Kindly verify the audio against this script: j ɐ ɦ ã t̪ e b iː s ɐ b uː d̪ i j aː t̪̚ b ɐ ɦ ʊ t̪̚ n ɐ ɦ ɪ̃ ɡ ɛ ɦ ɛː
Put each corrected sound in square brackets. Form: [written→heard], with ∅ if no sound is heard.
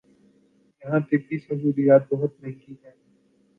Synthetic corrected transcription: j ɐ ɦ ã t̪ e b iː s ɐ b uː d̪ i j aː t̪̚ b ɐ ɦ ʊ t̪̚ n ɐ ɦ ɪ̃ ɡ [ɛ→i] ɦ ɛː